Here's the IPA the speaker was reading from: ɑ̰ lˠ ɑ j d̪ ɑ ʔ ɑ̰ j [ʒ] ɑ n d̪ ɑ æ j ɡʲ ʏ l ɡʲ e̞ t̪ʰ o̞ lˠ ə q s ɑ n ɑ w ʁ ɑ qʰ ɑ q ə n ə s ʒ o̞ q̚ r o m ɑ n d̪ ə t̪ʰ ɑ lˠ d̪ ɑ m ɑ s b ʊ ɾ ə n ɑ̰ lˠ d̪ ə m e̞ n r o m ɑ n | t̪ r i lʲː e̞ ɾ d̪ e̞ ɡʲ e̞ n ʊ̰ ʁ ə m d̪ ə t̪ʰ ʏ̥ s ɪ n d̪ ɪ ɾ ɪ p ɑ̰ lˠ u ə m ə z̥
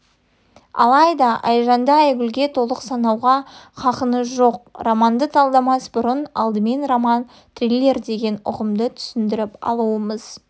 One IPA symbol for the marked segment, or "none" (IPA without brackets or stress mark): ʒ